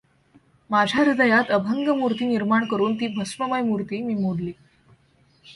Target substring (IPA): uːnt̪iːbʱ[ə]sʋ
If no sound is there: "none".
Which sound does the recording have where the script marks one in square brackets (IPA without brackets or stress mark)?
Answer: ə